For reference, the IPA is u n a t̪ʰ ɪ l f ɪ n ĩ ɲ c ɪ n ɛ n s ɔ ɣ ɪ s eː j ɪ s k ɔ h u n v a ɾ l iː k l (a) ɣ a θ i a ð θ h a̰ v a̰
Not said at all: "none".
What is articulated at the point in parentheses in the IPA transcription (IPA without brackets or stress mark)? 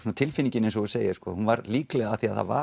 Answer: ɛ